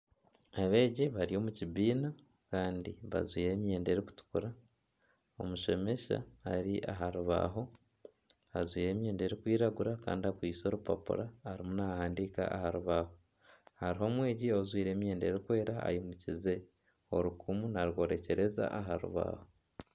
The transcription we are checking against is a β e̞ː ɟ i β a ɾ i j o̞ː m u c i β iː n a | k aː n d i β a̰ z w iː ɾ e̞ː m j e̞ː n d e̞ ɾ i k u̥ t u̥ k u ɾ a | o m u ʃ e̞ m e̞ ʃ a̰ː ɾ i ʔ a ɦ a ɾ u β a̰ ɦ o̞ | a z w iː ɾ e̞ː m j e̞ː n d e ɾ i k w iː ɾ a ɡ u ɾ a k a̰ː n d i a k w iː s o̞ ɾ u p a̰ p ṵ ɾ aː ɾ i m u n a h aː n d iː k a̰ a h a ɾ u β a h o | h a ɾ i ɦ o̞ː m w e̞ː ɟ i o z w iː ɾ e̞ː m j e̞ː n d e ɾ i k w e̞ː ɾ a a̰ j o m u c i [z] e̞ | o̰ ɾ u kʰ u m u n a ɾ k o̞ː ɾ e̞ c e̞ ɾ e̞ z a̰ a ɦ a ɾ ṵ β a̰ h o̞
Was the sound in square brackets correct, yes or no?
yes